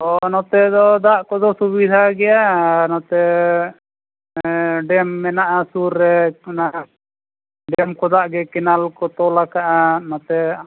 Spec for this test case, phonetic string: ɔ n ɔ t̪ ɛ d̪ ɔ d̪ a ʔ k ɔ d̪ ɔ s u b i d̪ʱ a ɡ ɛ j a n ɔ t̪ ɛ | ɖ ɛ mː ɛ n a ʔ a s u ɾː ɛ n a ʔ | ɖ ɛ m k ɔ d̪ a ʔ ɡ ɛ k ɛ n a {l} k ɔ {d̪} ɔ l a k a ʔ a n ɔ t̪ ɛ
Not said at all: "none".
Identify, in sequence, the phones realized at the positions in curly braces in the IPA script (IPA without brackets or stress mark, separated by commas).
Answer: l, t̪